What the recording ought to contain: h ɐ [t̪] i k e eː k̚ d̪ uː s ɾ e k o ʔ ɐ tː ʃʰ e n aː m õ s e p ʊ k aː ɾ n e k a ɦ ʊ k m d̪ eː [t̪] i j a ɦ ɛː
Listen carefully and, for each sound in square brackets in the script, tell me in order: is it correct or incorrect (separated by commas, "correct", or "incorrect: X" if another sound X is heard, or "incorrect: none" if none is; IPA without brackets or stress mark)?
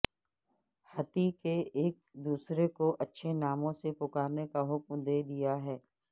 correct, incorrect: d̪